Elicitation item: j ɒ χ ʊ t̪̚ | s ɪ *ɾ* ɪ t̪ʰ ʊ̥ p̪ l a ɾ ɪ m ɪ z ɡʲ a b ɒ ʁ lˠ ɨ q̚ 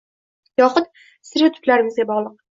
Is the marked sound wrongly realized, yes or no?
no